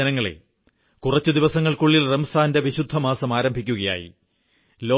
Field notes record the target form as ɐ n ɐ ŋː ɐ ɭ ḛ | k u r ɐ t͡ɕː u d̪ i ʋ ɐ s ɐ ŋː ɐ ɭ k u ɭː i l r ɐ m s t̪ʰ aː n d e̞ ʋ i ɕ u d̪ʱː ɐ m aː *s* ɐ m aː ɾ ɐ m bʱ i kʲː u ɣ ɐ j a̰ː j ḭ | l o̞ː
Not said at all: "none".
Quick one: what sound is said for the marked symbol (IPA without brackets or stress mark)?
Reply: s